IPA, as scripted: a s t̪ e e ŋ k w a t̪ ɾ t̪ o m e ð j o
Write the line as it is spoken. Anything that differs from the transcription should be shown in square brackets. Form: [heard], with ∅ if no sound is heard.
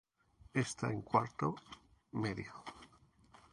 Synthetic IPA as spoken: [e] s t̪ [a] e ŋ k w a [∅] ɾ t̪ o m e ð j o

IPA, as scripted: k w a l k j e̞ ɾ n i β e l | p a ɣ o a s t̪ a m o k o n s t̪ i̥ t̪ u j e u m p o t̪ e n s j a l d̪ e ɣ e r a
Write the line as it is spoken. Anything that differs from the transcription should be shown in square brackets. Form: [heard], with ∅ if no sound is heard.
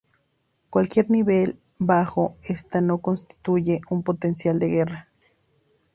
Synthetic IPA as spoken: k w a l k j e̞ ɾ n i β e l | [b] a [x] o [e] s t̪ a [n] o k o n s t̪ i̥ t̪ u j e u m p o t̪ e n s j a l d̪ e ɣ e r a

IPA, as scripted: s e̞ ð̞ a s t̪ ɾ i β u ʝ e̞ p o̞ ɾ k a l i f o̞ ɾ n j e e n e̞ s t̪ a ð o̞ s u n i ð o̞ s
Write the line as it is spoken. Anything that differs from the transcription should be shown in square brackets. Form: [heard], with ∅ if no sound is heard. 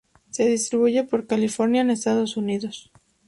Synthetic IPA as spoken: s e̞ ð̞ [i] s t̪ ɾ i β u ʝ e̞ p o̞ ɾ k a l i f o̞ ɾ n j [a] e n e̞ s t̪ a ð o̞ s u n i ð o̞ s

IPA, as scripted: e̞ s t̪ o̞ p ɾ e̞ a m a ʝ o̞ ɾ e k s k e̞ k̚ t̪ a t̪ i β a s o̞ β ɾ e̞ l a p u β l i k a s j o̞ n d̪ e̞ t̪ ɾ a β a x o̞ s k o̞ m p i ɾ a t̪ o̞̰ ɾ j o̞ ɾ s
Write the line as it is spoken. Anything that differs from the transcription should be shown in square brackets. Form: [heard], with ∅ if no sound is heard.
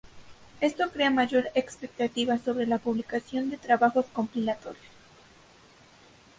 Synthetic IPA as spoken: e̞ s t̪ o̞ [k] ɾ e̞ a m a ʝ o̞ ɾ e k s [p] e̞ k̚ t̪ a t̪ i β a s o̞ β ɾ e̞ l a p u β l i k a s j o̞ n d̪ e̞ t̪ ɾ a β a x o̞ s k o̞ m p i [l] a t̪ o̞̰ ɾ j o̞ [∅] s

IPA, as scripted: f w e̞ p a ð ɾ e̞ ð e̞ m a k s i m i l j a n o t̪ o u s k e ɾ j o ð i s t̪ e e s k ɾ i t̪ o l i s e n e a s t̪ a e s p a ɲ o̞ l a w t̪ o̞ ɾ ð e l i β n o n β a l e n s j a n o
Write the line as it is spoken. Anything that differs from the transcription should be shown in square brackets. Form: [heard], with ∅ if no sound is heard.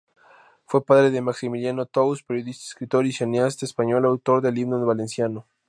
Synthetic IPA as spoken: f w e̞ p a ð ɾ e̞ ð e̞ m a k s i m i l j a n o t̪ o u s [p] e ɾ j o ð i s t̪ [a] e s k ɾ i t̪ o [ɾ] i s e n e a s t̪ a e s p a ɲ o̞ l a w t̪ o̞ ɾ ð e l i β n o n β a l e n s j a n o

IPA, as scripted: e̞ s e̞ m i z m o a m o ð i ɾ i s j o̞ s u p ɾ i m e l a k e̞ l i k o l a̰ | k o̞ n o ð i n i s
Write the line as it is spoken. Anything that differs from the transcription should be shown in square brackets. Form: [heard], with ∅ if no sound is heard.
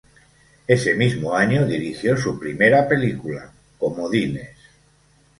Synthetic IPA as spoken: e̞ s e̞ m i z m o a [ɲ] o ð i ɾ i [x] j o̞ s u p ɾ i m e [ɾ] a [p] e̞ l i k [u] l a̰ | k o̞ [m] o ð i n [e] s

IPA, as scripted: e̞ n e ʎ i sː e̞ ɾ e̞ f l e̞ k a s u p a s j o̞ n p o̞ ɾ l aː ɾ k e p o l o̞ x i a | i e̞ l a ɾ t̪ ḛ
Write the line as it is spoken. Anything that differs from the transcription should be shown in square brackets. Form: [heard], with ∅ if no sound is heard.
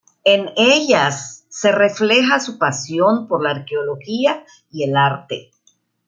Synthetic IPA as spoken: e̞ n e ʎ [a] sː e̞ [r] e̞ f l e̞ [x] a s u p a s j o̞ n p o̞ ɾ l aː ɾ k e [∅] o l o̞ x i a | i e̞ l a ɾ t̪ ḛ

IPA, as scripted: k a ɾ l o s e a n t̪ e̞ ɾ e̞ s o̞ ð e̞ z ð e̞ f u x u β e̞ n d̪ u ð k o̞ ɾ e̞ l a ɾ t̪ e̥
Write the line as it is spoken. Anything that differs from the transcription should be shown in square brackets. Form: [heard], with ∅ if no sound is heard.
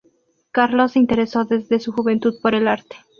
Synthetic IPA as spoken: k a ɾ l o s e [i] n t̪ e̞ ɾ e̞ s o̞ ð e̞ z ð e̞ [s] u x u β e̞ n [t̪] u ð [p] o̞ ɾ e̞ l a ɾ t̪ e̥

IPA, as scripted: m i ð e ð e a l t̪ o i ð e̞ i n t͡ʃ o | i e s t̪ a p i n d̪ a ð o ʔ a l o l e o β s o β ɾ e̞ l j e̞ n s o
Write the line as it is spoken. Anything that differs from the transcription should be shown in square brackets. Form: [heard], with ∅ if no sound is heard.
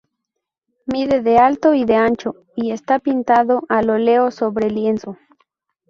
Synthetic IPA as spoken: m i ð e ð e a l t̪ o i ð e̞ [a] n t͡ʃ o | i e s t̪ a p i n [t̪] a ð o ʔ a l o l e o [∅] s o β ɾ e̞ l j e̞ n s o

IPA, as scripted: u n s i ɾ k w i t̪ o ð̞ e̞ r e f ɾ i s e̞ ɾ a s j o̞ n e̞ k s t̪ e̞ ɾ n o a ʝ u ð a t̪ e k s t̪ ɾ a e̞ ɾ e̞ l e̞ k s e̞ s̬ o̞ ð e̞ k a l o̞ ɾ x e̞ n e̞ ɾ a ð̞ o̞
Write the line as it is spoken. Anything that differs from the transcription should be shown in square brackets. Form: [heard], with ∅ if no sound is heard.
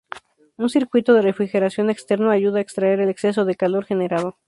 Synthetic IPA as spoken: u n s i ɾ k w i t̪ o ð̞ e̞ r e f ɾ i [x] e̞ ɾ a s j o̞ n e̞ k s t̪ e̞ ɾ n o a ʝ u ð a [∅] e k s t̪ ɾ a e̞ ɾ e̞ l e̞ k s e̞ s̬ o̞ ð e̞ k a l o̞ ɾ x e̞ n e̞ ɾ a ð̞ o̞

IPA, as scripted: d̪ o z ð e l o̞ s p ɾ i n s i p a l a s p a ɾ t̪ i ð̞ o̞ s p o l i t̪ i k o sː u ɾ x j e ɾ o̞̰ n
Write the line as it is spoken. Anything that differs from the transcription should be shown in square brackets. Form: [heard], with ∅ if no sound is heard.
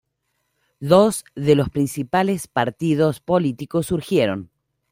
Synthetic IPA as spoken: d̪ o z ð e l o̞ s p ɾ i n s i p a l [e] s p a ɾ t̪ i ð̞ o̞ s p o l i t̪ i k o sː u ɾ x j e ɾ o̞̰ n

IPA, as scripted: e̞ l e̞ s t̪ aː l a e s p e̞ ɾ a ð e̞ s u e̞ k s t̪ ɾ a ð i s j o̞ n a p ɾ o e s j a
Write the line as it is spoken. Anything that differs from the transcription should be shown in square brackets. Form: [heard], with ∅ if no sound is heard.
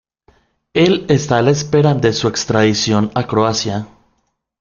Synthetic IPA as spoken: e̞ l e̞ s t̪ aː l a e s p e̞ ɾ a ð e̞ s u e̞ k s t̪ ɾ a ð i s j o̞ n a [k] ɾ o [a] s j a

